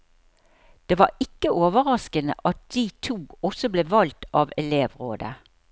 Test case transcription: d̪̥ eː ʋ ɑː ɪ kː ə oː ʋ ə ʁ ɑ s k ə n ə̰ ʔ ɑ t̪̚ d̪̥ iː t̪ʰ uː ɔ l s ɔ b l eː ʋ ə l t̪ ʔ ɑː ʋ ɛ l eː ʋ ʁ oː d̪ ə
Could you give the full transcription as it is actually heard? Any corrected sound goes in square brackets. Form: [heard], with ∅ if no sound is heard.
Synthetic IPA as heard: d̪̥ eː ʋ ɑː ɪ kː ə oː ʋ ə ʁ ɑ s k ə n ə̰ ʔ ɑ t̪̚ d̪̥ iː t̪ʰ uː ɔ [∅] s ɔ b l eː ʋ [ɑ] l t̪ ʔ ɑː ʋ ɛ l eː ʋ ʁ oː d̪ ə